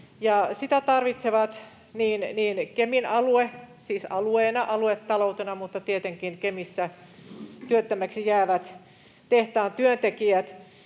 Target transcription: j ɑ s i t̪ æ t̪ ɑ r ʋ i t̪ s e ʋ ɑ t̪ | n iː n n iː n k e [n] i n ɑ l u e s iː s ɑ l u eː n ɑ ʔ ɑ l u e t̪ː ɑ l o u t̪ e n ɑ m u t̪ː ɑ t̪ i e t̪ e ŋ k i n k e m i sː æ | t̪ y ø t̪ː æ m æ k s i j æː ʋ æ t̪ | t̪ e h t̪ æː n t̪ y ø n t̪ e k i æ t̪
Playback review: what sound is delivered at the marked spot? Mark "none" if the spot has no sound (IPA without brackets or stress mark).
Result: m